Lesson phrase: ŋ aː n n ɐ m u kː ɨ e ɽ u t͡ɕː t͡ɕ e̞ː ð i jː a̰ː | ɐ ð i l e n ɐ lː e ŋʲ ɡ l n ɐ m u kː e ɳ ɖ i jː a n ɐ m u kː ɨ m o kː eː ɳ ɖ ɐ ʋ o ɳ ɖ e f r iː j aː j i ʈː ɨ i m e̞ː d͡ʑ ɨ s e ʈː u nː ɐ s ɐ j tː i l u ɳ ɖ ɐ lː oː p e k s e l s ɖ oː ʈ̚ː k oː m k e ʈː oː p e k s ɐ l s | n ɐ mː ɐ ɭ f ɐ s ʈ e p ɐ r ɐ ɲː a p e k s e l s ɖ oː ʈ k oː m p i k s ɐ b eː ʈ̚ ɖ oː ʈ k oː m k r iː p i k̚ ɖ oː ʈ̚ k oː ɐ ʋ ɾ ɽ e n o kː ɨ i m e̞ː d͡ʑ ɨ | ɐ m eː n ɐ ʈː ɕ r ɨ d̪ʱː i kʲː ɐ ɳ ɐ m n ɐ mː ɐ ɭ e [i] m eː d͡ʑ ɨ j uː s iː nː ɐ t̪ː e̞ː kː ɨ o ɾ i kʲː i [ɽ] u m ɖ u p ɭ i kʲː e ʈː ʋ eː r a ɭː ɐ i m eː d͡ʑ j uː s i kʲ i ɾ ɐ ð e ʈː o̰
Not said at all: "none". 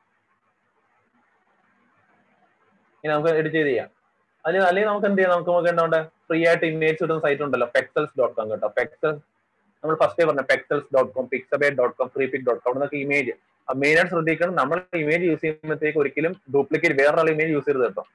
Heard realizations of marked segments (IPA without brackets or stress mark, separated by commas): i, l